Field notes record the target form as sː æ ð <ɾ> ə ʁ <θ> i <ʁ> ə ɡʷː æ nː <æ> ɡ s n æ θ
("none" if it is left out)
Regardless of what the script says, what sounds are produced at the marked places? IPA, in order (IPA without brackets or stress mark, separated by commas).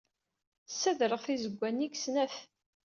ɾ, θ, z, i